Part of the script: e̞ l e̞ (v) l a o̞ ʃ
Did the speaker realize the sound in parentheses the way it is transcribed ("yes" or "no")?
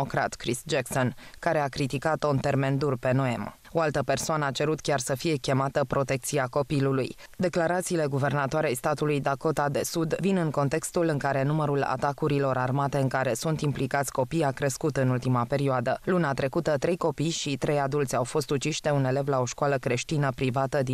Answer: yes